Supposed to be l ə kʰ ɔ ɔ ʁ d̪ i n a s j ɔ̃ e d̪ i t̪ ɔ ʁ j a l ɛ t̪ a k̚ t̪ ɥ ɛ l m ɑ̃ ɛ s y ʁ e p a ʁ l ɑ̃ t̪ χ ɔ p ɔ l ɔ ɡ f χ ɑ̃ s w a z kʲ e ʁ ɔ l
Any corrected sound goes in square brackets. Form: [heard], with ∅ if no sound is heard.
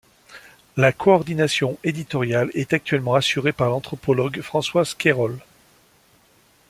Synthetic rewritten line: l [a] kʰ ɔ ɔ ʁ d̪ i n a s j ɔ̃ e d̪ i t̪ ɔ ʁ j a l ɛ t̪ a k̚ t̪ ɥ ɛ l m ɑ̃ [a] s y ʁ e p a ʁ l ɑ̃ t̪ χ ɔ p ɔ l ɔ ɡ f χ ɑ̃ s w a z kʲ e ʁ ɔ l

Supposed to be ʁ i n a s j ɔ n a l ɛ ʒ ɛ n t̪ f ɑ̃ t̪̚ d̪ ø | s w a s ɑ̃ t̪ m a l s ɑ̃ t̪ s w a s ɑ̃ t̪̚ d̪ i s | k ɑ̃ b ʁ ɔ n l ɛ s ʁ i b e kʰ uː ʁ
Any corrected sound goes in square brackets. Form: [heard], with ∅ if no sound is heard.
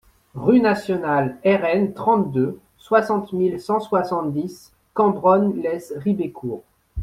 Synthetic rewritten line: ʁ [y] n a s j ɔ n a l ɛ [ʁ] ɛ n t̪ [χ] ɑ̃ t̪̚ d̪ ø | s w a s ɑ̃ t̪ m [i] l s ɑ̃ [∅] s w a s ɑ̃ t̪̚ d̪ i s | k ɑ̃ b ʁ ɔ n l ɛ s ʁ i b e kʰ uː ʁ

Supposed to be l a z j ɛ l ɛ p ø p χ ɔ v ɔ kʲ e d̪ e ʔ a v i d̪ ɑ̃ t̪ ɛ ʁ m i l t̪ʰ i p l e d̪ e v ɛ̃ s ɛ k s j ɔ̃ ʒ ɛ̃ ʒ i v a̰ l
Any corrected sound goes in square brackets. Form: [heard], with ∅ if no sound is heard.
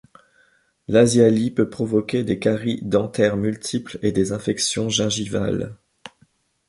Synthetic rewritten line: l a z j [a] l [i] p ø p χ ɔ v ɔ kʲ e d̪ e [k] a [ʁ] i d̪ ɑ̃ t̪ ɛ ʁ m [y] l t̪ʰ i p l e d̪ e [z] ɛ̃ [f] ɛ k s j ɔ̃ ʒ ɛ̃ ʒ i v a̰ l

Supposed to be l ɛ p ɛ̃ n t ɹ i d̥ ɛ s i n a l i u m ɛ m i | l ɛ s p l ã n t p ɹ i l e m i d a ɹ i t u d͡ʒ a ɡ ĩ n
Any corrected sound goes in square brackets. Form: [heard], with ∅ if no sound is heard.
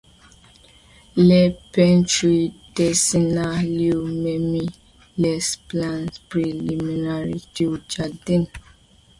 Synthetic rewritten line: l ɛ p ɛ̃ n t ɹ i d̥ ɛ s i n a l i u m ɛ m i | l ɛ s p l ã n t p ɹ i l [i] m i [n] a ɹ i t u d͡ʒ a [d] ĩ n

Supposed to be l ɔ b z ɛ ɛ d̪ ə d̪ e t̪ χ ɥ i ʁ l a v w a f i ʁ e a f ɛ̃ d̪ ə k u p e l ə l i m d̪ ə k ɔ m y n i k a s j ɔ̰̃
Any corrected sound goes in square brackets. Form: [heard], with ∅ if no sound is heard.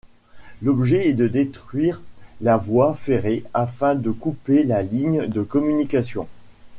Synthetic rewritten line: l ɔ b [ʒ] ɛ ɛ d̪ ə d̪ e t̪ χ ɥ i ʁ l a v w a f [e] ʁ e a f ɛ̃ d̪ ə k u p e l [a] l i [ɲ] d̪ ə k ɔ m y n i k a s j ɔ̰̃

